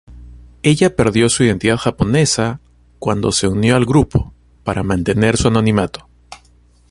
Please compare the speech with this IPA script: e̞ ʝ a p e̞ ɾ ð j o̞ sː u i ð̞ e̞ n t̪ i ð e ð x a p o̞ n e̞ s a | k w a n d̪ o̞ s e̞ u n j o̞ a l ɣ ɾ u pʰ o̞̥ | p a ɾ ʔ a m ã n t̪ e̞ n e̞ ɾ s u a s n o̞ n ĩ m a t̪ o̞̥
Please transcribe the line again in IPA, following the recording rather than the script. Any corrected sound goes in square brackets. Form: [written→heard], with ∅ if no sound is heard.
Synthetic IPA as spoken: e̞ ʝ a p e̞ ɾ ð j o̞ [sː→s] u i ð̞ e̞ n t̪ i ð [e→a] ð x a p o̞ n e̞ s a | k w a n d̪ o̞ s e̞ u n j o̞ a l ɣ ɾ u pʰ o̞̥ | p a ɾ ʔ a m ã n t̪ e̞ n e̞ ɾ s u a [s→∅] n o̞ n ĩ m a t̪ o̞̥